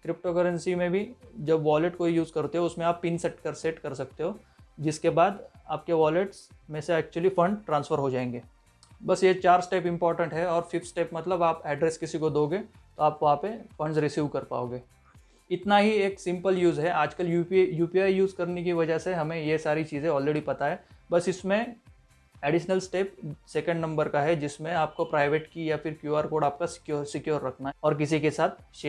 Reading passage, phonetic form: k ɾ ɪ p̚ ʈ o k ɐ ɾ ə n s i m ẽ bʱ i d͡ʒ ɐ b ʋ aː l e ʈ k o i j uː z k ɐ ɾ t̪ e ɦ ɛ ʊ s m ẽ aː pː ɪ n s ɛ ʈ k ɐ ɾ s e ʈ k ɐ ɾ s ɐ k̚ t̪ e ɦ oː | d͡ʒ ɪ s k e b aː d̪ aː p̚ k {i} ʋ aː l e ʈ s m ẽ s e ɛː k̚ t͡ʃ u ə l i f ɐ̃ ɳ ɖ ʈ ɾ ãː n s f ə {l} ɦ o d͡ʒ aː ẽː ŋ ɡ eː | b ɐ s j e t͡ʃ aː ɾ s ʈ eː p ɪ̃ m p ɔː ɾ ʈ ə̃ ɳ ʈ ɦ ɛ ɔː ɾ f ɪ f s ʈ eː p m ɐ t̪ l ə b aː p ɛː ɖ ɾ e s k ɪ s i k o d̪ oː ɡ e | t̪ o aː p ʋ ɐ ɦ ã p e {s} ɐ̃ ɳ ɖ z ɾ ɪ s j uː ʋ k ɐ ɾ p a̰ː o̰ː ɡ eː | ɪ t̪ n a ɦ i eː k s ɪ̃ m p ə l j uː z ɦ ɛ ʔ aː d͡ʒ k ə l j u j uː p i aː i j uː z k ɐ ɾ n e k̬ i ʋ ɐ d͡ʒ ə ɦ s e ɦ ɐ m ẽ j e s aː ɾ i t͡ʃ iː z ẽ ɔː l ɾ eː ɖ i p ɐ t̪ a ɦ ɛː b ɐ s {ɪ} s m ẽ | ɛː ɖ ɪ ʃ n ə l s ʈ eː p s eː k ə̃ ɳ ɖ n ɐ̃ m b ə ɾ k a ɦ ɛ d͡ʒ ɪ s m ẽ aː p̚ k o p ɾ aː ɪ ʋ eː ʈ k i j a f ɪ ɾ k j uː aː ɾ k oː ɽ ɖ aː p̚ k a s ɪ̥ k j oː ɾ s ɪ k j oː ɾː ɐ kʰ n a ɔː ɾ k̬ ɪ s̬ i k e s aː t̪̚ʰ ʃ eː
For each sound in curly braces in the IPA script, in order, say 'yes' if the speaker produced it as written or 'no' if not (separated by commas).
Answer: no, no, no, yes